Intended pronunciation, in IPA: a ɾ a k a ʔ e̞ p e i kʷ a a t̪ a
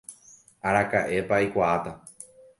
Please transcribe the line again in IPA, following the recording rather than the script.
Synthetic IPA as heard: a ɾ a k a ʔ e̞ p a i kʷ a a t̪ a